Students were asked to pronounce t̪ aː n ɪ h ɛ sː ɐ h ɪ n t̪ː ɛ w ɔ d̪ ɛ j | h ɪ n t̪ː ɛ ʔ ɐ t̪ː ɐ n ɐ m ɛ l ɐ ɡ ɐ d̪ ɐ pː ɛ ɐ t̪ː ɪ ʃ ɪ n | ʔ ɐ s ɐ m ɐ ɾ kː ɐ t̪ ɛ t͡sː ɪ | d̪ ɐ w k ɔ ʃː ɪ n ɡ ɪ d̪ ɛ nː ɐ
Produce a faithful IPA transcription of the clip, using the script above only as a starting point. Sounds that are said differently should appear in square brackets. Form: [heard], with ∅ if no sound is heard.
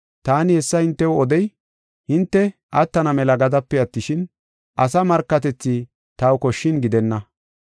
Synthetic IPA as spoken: t̪ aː n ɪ h ɛ sː ɐ h ɪ n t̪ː ɛ w ɔ d̪ ɛ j | h ɪ n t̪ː ɛ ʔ ɐ t̪ː ɐ n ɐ m ɛ l ɐ ɡ ɐ d̪ ɐ pː ɛ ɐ t̪ː ɪ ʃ ɪ n | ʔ ɐ s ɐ m ɐ ɾ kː ɐ t̪ ɛ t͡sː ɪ | [t̪] ɐ w k ɔ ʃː ɪ n ɡ ɪ d̪ ɛ nː ɐ